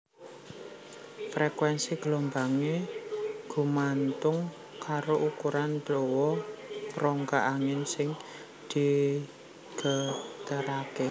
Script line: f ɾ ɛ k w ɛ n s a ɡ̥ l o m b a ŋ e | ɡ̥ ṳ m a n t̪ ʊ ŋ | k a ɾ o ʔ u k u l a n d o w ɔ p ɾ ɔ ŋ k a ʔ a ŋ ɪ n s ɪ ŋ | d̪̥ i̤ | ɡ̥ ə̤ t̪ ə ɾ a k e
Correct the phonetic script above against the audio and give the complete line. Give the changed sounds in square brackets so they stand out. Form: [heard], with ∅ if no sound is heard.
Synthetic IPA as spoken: f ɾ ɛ k w ɛ n s [i] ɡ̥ l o m b a ŋ e | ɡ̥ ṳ m a n t̪ ʊ ŋ | k a ɾ o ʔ u k u [ɾ] a n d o w ɔ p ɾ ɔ ŋ k a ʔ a ŋ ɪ n s ɪ ŋ | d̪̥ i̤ | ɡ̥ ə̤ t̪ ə ɾ a k e